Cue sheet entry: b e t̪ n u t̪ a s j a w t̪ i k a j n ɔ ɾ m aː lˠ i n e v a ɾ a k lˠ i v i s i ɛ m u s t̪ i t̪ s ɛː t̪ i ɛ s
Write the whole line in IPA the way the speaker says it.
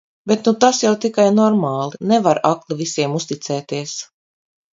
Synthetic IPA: b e t̪ n u t̪ a s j a w t̪ i k a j n ɔ ɾ m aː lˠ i n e v a ɾ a k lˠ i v i s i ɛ m u s t̪ i t̪ s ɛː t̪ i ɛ s